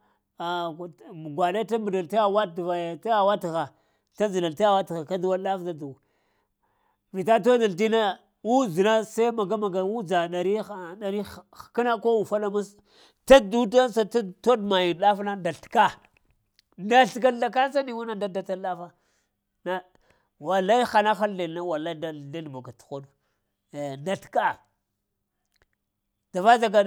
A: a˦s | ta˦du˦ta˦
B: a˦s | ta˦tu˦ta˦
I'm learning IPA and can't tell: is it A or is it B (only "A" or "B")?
A